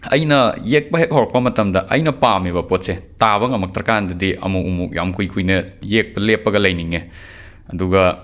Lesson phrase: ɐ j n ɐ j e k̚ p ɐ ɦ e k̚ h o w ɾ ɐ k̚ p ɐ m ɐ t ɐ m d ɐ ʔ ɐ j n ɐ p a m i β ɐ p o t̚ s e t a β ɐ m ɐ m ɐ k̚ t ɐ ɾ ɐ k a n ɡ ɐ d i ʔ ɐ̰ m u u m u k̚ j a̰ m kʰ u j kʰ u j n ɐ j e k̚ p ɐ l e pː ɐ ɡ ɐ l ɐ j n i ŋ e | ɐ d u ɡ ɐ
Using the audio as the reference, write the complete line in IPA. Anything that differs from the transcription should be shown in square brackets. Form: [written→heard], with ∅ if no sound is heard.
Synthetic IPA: ɐ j n ɐ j e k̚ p ɐ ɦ e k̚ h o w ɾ ɐ k̚ p ɐ m ɐ t ɐ m d ɐ ʔ ɐ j n ɐ p a m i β ɐ p o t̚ s e t a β ɐ [m→ŋ] ɐ m ɐ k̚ t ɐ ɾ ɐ k a n [ɡ→d] ɐ d i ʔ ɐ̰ m u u m u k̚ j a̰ m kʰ u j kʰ u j n ɐ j e k̚ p ɐ l e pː ɐ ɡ ɐ l ɐ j n i ŋ e | ɐ d u ɡ ɐ